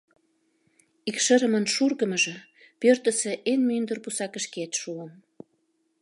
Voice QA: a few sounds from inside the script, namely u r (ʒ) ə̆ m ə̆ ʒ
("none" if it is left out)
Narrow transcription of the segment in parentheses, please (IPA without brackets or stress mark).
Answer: ɣ